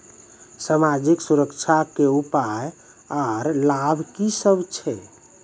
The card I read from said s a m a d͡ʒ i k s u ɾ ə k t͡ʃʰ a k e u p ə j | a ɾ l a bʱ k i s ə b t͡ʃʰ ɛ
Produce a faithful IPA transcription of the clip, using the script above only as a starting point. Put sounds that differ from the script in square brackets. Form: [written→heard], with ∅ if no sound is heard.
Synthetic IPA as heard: s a m a d͡ʒ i k s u ɾ ə k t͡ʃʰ a k e u p [ə→a] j | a ɾ l a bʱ k i s ə b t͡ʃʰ ɛ